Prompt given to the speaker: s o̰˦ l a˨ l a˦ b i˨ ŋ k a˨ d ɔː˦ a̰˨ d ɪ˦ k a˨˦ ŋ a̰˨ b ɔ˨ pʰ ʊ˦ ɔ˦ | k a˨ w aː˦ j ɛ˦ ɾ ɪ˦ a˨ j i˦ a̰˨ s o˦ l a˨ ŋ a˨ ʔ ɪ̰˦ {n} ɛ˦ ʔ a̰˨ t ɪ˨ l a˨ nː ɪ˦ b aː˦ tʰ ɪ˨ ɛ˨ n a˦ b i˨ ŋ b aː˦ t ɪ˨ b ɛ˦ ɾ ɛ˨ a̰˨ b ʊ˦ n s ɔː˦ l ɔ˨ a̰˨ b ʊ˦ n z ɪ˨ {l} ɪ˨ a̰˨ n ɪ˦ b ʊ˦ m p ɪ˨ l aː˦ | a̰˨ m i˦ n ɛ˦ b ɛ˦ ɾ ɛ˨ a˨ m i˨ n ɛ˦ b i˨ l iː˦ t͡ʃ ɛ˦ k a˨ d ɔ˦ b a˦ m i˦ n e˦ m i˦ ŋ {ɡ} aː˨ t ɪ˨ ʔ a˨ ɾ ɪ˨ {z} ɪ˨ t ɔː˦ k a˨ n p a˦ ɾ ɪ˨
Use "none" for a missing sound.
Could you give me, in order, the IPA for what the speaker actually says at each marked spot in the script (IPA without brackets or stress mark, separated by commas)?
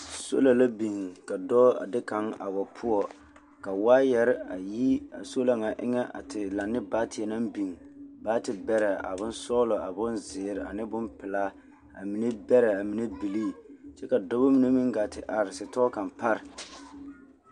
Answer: ŋ, ɾ, ɡ, s